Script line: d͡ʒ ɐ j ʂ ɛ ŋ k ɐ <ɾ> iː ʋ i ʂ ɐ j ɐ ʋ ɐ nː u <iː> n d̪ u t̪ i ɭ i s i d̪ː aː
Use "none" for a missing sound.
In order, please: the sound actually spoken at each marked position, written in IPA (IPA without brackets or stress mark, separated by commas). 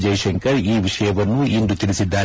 ɾ, i